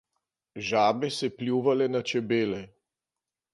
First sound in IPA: ʒ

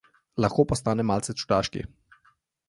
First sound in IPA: l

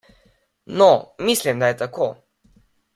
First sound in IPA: n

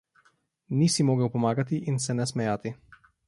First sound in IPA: n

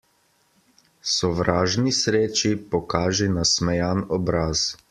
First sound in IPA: s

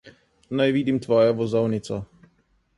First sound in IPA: n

